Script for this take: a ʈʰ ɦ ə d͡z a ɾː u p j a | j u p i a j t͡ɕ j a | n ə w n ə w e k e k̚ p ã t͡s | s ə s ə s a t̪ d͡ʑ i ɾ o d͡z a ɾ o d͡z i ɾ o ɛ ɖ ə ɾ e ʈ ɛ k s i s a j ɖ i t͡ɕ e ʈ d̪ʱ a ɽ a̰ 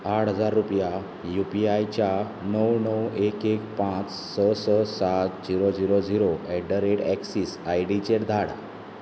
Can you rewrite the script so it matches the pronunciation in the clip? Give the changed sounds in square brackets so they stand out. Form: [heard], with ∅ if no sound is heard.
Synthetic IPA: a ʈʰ ɦ ə d͡z a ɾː u p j a | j u p i a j t͡ɕ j a | n ə w n ə w e k e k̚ p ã t͡s | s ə s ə s a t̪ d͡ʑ i ɾ o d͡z [i] ɾ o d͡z i ɾ o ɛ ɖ ə ɾ e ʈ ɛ k s i s a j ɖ i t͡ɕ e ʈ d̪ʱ a ɽ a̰